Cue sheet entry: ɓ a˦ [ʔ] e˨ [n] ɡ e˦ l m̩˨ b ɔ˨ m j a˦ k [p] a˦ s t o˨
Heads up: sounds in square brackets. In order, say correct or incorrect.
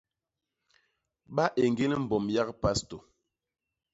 correct, incorrect: ŋ, correct

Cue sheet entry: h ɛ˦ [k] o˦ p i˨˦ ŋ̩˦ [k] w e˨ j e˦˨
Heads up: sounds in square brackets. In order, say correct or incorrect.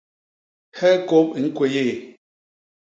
correct, correct

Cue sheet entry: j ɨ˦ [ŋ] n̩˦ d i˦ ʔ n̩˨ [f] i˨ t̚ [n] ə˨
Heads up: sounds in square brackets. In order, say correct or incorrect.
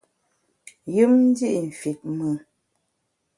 incorrect: m, correct, incorrect: m

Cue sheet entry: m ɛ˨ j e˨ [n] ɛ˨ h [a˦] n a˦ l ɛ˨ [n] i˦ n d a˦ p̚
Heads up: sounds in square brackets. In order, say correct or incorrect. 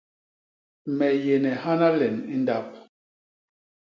correct, correct, correct

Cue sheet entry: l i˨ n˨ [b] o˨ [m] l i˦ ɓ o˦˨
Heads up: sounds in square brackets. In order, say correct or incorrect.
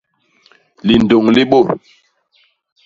incorrect: d, incorrect: ŋ

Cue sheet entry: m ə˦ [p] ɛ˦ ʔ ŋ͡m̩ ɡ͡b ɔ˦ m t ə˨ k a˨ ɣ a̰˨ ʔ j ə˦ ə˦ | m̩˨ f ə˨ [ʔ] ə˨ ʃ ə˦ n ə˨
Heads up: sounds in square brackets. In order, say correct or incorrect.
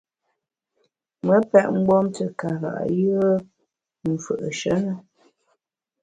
correct, correct

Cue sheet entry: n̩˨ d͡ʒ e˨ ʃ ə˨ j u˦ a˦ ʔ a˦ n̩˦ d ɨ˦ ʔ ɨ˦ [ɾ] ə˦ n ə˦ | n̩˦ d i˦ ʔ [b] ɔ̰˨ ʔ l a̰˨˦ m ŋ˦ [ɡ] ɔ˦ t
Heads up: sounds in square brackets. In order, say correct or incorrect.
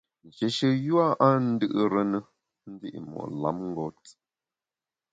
correct, incorrect: m, correct

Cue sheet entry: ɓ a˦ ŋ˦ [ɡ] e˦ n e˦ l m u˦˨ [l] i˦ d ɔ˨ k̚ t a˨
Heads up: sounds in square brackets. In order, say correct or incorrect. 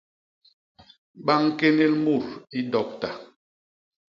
incorrect: k, incorrect: ɾ

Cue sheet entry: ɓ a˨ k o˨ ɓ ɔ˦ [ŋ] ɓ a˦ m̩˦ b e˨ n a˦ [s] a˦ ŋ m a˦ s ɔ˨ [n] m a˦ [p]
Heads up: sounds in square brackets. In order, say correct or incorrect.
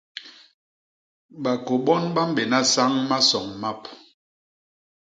incorrect: n, correct, incorrect: ŋ, correct

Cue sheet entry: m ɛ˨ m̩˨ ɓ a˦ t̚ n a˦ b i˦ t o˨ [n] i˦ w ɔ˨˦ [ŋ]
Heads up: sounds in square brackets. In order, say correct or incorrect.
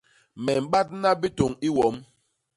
incorrect: ŋ, incorrect: m

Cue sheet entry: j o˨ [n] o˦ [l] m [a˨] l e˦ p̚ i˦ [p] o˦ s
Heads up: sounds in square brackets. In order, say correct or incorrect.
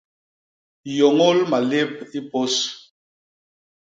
incorrect: ŋ, correct, correct, correct

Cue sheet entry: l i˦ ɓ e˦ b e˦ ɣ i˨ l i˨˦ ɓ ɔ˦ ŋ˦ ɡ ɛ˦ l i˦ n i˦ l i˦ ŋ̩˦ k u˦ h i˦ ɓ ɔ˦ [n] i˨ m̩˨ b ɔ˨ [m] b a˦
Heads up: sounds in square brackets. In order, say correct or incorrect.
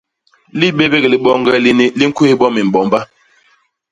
incorrect: m, correct

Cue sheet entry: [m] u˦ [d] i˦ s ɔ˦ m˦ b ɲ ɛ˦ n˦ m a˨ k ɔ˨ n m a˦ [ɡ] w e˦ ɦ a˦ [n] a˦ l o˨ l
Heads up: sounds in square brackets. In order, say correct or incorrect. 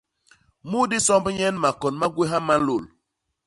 correct, correct, correct, incorrect: m

